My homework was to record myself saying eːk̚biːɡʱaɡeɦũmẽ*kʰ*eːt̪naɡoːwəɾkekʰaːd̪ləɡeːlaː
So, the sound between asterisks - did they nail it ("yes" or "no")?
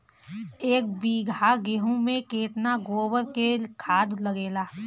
no